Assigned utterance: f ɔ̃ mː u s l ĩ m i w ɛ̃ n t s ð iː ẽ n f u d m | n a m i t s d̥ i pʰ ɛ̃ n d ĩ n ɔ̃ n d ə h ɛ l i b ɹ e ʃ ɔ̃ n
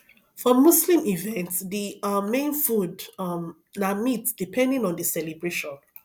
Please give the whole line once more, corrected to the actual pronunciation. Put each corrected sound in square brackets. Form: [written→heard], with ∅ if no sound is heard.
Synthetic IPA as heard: f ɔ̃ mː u s l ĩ m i [w→v] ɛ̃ n t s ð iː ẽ n f u d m | n a m i t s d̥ i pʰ ɛ̃ n d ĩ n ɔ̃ n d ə [h→s] ɛ l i b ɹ e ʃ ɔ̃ n